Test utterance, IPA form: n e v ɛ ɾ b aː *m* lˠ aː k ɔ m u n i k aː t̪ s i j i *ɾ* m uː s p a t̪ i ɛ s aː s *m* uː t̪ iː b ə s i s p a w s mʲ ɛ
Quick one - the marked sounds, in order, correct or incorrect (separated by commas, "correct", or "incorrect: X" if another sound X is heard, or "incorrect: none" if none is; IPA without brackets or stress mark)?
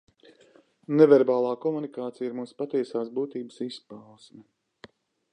incorrect: none, correct, incorrect: b